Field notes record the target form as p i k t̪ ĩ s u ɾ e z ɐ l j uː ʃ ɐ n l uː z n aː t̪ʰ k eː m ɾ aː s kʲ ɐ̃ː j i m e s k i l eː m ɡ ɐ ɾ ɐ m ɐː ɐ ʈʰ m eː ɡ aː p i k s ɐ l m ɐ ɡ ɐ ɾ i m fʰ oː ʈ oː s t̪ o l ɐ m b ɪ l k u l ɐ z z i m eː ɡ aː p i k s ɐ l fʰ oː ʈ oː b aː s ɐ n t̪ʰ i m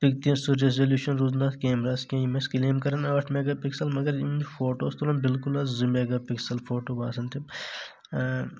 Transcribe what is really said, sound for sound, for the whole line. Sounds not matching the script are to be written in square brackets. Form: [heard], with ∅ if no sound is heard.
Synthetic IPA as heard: p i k t̪ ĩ s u ɾ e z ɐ l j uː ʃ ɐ n [ɾ] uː z n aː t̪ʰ k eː m ɾ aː s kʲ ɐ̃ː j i m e s k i l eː m [k] ɐ ɾ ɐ [n] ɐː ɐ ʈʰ m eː ɡ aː p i k s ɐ l m ɐ ɡ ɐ ɾ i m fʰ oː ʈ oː s t̪ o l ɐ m b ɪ l k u l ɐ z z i m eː ɡ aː p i k s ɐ l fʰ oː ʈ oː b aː s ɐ n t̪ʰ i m